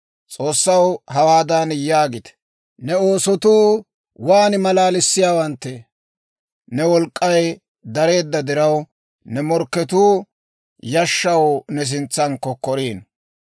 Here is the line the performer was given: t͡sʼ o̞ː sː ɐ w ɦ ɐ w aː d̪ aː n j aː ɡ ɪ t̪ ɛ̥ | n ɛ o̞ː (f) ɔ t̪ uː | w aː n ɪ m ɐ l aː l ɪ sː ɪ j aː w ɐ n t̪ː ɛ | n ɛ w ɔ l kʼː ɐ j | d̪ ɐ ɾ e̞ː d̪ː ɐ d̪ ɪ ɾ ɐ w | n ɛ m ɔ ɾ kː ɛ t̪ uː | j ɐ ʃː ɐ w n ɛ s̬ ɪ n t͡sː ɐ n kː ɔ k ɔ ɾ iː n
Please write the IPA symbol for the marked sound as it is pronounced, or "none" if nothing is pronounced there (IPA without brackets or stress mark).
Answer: s